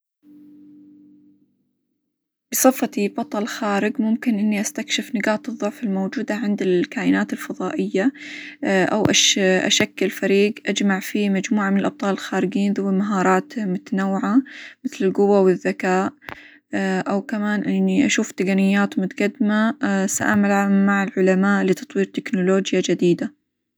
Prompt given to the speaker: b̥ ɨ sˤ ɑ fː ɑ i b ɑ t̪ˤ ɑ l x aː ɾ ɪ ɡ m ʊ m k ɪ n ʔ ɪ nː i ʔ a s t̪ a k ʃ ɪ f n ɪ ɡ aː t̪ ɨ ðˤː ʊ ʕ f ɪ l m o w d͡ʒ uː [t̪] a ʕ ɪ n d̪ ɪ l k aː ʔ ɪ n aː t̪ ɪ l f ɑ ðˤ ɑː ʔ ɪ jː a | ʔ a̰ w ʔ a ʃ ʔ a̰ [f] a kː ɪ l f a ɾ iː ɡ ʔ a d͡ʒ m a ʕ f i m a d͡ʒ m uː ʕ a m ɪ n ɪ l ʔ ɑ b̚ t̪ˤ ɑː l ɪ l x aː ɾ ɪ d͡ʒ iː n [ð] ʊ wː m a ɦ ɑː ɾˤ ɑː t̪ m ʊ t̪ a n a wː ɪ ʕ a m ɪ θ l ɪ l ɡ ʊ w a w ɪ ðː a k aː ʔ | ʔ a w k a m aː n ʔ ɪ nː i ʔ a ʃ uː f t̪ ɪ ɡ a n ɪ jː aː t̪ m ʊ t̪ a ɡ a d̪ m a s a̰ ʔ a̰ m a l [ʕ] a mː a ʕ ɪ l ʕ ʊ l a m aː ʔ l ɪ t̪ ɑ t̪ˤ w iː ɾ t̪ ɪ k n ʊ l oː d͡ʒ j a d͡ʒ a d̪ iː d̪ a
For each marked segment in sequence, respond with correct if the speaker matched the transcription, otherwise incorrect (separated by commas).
incorrect, incorrect, correct, correct